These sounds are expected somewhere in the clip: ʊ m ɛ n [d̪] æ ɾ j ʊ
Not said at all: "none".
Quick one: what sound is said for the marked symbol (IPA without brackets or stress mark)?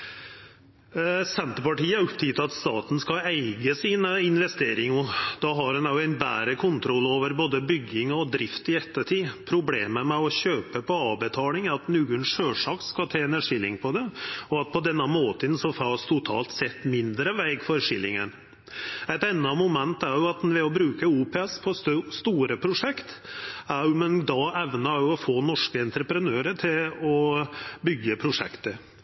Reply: t̪